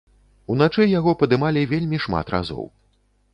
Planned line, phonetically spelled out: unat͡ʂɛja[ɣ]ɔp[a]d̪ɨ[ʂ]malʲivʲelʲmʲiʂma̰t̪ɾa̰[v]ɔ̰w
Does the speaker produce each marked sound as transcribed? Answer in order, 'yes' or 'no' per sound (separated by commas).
yes, no, no, no